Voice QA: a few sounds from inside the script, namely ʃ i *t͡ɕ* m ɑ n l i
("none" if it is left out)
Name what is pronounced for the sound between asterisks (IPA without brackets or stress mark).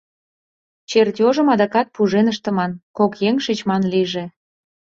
t͡ɕ